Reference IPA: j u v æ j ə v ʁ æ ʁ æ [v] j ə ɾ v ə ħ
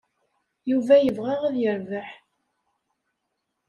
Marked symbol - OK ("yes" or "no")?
no